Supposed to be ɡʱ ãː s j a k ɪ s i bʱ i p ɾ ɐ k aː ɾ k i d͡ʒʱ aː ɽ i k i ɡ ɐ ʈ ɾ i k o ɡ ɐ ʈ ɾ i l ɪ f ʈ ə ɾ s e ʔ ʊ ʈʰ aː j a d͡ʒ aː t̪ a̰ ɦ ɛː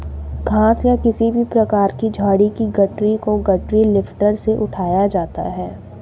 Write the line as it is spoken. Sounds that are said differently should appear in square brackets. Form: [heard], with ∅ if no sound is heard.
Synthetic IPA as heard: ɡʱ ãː s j a k ɪ s i bʱ i p ɾ ɐ k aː ɾ k i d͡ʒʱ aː ɽ i k i ɡ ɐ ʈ ɾ i k o ɡ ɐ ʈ ɾ i l ɪ f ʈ ə ɾ s e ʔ ʊ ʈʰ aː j a d͡ʒ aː t̪ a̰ ɦ ɛː